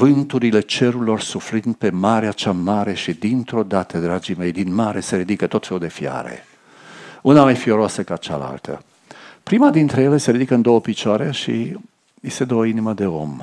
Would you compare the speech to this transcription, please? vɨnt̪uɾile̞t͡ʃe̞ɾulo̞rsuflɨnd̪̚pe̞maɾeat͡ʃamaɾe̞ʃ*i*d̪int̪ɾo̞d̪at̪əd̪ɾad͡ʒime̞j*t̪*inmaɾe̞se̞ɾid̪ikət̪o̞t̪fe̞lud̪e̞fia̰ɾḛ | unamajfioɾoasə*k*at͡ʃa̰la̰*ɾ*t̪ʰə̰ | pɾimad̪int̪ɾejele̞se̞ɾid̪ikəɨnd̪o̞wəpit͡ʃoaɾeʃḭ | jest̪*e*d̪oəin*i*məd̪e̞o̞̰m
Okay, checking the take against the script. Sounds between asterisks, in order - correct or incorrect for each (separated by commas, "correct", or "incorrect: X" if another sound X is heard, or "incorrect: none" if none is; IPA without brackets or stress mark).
correct, incorrect: d̪, correct, incorrect: l, correct, correct